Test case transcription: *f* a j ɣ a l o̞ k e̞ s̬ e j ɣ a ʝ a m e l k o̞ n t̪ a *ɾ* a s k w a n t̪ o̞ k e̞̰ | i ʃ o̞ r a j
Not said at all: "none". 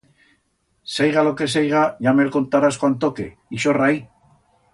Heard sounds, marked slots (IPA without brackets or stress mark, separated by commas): s, ɾ